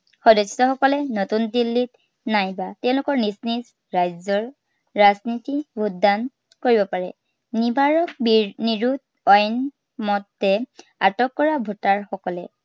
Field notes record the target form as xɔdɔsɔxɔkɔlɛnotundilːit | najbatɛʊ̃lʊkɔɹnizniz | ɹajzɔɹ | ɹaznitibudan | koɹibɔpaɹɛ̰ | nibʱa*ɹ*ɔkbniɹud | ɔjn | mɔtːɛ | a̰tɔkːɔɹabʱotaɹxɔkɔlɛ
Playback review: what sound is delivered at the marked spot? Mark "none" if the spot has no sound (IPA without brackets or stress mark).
ɹ